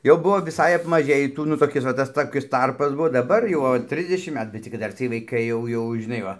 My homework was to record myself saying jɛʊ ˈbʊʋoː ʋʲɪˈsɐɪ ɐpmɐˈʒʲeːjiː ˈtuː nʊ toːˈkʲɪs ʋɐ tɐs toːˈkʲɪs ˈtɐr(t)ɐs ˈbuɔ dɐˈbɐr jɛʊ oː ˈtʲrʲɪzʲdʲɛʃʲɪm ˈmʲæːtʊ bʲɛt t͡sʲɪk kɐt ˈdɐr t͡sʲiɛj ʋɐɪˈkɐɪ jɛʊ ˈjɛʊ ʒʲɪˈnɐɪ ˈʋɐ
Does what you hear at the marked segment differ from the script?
yes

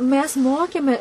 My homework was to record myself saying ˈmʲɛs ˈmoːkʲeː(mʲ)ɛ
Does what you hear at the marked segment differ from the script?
no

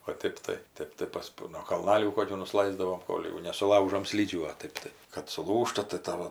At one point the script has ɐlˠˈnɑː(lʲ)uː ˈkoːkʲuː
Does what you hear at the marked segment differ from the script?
no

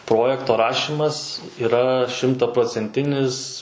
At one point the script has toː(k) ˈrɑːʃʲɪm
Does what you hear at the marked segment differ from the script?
yes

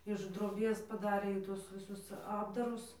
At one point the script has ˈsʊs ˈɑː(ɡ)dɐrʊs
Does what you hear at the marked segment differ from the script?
yes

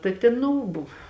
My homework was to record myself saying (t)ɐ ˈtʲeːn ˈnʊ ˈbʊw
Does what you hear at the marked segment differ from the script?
no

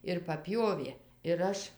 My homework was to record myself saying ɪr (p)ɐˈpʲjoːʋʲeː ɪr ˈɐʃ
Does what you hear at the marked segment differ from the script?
no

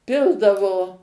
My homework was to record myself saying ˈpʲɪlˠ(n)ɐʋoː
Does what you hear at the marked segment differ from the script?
yes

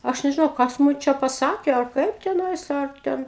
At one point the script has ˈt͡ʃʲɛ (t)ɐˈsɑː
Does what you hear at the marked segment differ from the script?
yes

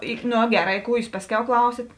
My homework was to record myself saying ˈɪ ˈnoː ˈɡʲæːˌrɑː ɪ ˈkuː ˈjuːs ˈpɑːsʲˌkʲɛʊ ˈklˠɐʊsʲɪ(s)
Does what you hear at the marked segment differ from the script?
yes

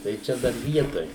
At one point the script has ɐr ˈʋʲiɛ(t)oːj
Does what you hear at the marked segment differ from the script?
no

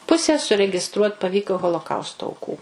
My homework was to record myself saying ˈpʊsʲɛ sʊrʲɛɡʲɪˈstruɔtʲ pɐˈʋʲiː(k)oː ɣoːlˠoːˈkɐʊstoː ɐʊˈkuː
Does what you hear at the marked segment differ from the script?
no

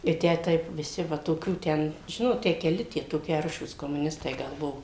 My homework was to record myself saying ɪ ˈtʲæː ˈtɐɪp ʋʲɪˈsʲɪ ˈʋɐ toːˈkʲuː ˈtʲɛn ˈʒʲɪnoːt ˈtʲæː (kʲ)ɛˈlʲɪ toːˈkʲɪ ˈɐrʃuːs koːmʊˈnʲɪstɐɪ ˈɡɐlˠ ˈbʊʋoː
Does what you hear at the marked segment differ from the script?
no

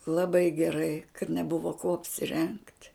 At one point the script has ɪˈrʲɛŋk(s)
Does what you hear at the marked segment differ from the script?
yes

